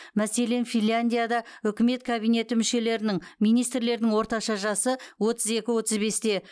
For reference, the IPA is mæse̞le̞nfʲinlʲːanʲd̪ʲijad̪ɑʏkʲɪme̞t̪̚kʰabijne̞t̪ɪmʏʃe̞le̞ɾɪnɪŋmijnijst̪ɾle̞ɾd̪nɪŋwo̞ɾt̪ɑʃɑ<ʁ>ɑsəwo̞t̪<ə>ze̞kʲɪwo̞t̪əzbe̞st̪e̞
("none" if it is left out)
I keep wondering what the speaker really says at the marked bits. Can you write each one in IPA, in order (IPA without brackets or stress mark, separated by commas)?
ʒ, ə